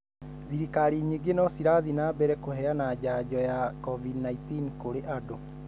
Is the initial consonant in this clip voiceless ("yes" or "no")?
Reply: no